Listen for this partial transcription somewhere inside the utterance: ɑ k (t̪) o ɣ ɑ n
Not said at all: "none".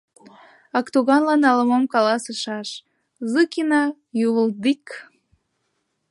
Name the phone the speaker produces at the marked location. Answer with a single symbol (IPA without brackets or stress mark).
t̪